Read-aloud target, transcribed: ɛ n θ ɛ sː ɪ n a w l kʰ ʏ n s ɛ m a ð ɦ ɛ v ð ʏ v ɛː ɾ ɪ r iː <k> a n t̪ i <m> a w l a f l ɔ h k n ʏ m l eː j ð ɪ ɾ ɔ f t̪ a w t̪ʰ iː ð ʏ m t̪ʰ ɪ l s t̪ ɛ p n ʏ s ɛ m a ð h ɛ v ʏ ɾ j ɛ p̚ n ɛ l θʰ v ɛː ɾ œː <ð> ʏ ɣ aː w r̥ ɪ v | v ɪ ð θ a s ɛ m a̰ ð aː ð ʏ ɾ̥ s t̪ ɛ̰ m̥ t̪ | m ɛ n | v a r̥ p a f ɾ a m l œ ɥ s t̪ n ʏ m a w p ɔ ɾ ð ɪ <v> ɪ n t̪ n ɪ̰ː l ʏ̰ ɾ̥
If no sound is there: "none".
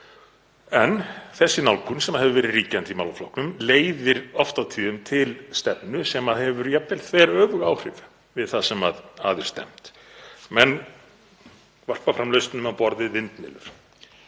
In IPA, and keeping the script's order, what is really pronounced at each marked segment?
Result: c, m, v, v

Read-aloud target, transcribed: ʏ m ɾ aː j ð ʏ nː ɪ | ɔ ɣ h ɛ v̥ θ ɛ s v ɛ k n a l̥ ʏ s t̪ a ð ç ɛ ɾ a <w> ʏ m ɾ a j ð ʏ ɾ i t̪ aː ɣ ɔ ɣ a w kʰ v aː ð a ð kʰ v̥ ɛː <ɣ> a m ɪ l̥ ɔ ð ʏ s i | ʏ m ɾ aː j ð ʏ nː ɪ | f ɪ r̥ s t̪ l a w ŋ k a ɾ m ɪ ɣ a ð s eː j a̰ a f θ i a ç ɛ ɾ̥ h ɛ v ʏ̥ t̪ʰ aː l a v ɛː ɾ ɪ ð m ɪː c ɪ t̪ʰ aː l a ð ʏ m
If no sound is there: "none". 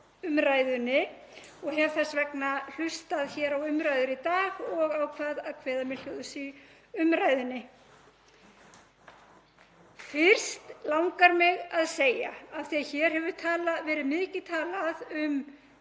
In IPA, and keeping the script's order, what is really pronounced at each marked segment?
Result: w, ð

